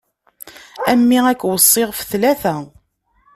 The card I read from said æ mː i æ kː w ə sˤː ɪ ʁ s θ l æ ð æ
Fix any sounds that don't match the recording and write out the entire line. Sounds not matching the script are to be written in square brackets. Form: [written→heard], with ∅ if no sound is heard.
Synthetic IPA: æ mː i æ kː w ə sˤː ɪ ʁ [s→f] θ l æ [ð→θ] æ